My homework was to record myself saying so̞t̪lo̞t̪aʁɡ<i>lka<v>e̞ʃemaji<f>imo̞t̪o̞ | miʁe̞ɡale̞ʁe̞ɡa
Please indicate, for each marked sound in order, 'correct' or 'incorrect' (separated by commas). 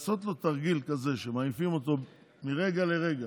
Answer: correct, incorrect, correct